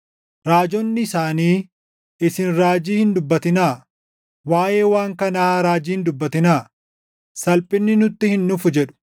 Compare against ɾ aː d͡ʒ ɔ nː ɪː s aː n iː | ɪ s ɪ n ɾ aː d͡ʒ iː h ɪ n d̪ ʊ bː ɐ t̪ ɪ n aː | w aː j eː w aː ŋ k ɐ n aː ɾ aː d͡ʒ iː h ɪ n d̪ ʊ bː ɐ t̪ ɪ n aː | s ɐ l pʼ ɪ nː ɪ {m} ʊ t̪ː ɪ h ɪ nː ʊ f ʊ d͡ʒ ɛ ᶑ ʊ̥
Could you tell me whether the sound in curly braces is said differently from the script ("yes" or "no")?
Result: yes